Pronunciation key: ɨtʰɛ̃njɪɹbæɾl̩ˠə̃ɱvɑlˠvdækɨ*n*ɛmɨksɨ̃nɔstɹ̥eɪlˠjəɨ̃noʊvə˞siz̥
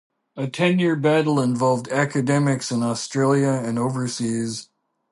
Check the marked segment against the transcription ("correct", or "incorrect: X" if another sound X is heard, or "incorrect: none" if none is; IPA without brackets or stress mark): incorrect: d